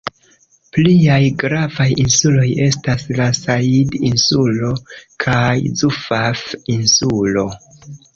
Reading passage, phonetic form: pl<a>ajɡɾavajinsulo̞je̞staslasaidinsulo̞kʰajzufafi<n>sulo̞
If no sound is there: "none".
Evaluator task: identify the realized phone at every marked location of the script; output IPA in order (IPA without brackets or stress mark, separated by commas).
i, n